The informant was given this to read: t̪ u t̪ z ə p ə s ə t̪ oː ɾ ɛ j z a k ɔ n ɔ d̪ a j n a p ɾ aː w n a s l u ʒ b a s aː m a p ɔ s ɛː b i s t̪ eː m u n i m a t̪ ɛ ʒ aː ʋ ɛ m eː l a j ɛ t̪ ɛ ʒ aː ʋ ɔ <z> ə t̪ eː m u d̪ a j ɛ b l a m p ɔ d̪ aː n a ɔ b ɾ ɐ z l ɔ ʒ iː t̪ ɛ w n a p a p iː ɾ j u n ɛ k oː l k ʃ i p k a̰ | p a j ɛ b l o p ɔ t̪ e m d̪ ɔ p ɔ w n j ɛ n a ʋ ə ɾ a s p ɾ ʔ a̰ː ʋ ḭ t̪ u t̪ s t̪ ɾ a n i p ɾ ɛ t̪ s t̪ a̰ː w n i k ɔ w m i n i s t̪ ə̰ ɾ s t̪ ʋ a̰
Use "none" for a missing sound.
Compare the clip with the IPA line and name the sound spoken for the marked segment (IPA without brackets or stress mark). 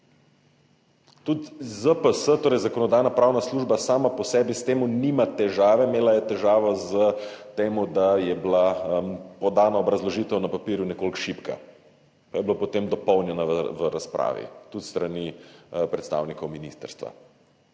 z